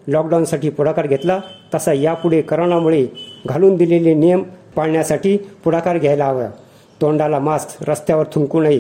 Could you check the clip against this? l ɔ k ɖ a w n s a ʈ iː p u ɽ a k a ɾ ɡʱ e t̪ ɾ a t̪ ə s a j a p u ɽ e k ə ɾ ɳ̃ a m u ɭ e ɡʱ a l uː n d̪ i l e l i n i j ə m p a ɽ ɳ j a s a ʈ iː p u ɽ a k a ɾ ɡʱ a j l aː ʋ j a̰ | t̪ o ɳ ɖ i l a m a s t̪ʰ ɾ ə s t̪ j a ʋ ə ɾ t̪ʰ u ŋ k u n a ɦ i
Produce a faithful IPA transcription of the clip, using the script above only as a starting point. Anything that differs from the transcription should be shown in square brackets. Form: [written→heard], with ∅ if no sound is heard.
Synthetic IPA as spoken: l ɔ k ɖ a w n s a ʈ iː p u ɽ a k a ɾ ɡʱ e t̪ [ɾ→l] a t̪ ə s a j a p u ɽ e k ə ɾ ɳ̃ a m u ɭ e ɡʱ a l uː n d̪ i l e l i n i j ə m p a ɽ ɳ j a s a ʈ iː p u ɽ a k a ɾ ɡʱ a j l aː ʋ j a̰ | t̪ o ɳ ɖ [i→a] l a m a s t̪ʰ ɾ ə s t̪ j a ʋ ə ɾ t̪ʰ u ŋ k u n a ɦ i